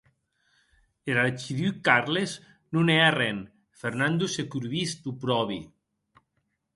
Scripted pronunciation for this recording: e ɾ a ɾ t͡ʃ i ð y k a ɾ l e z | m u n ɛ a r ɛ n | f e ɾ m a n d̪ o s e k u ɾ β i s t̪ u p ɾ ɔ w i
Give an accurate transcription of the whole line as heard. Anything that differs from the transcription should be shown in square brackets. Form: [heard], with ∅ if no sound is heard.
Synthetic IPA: e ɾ a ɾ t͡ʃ i ð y k a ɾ l e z | [n] u n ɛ a r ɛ n | f e ɾ [n] a n d̪ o s e k u ɾ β i s t̪ u p ɾ ɔ [β] i